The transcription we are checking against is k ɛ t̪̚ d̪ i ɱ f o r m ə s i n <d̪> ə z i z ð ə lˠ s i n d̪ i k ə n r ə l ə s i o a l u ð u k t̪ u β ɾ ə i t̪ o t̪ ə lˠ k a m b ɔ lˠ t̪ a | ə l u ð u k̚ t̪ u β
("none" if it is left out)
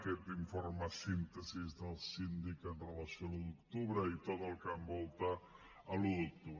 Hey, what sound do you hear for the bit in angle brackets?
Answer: t̪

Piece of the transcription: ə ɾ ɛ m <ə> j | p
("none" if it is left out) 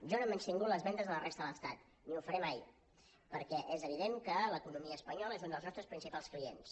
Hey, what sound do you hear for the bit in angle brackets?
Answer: a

